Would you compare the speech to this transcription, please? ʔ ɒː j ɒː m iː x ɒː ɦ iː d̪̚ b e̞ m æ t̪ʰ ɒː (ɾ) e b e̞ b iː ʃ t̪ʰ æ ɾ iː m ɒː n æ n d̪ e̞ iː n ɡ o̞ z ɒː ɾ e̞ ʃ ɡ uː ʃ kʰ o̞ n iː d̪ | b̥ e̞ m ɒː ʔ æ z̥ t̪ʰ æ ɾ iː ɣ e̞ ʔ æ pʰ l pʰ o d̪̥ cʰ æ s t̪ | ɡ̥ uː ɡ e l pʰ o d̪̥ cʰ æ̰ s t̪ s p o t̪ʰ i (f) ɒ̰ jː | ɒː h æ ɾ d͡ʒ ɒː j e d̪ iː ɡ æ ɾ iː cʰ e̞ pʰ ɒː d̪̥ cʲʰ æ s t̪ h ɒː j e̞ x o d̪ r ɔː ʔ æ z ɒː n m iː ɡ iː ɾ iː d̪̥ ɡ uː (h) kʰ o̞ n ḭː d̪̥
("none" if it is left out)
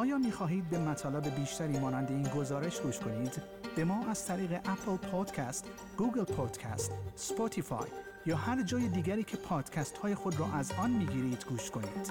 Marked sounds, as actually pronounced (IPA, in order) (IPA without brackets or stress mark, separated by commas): l, f, ʃ